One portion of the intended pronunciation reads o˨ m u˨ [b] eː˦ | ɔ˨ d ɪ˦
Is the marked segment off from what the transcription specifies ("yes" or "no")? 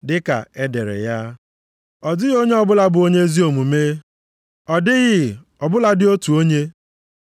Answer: yes